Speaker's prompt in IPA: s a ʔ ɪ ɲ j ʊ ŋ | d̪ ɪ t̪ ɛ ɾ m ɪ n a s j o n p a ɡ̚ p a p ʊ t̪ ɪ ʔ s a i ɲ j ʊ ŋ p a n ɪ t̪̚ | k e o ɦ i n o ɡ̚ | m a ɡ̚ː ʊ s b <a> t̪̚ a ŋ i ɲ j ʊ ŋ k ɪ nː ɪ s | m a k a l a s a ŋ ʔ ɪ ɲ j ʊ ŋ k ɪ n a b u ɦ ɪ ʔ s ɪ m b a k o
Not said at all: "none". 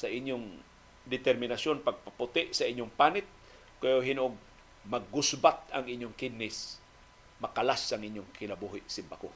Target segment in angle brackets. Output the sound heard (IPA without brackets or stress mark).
a